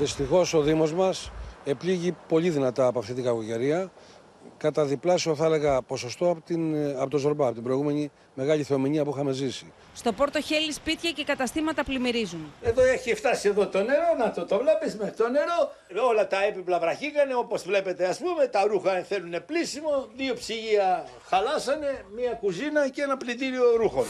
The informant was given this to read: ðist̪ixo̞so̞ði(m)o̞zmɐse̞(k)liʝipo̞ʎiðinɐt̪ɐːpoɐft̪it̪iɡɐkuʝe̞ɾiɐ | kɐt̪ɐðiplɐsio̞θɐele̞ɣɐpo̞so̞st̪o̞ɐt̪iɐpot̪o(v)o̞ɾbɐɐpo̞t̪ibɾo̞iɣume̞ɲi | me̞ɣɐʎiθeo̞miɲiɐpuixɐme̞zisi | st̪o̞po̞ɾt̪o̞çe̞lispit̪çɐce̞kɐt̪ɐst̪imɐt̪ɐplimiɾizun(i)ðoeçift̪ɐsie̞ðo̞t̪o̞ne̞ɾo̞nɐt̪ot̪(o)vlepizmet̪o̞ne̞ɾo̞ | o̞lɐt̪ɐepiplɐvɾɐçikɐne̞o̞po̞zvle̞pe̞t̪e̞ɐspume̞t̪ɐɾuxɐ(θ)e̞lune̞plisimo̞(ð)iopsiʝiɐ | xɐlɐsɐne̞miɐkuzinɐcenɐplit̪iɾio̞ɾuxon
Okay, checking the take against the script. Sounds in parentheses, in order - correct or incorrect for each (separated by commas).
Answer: correct, incorrect, incorrect, incorrect, correct, correct, correct